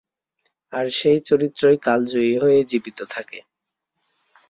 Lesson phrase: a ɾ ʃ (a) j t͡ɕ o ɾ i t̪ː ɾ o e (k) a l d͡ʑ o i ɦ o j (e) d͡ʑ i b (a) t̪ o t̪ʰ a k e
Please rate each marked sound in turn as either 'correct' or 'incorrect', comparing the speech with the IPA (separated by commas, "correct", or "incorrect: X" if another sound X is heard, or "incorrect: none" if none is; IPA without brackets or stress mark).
incorrect: e, correct, correct, incorrect: i